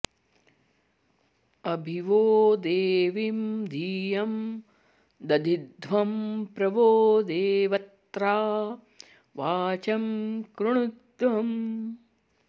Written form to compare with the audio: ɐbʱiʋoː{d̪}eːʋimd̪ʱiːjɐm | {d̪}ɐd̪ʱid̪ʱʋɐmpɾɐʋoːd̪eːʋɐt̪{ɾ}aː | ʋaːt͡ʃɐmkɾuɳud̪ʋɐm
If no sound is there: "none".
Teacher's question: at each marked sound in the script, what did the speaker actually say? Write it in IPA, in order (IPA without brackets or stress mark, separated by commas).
d̪, d̪, ɾ